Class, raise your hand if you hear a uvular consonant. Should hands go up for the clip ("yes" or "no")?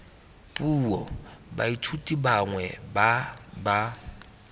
no